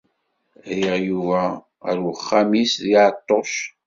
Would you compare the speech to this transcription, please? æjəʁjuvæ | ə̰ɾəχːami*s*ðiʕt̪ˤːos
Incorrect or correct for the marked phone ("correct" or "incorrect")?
correct